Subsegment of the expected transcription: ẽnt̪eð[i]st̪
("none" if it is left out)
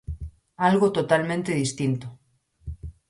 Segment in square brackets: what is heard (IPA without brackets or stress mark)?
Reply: i